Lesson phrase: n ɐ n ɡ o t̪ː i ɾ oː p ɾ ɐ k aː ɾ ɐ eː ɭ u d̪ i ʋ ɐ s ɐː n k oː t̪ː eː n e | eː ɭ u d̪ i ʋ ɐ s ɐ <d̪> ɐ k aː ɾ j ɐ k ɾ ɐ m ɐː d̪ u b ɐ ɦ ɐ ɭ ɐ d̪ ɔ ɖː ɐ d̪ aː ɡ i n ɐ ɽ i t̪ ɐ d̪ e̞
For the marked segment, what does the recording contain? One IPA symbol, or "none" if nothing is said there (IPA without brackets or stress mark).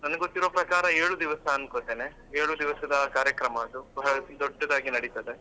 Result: d̪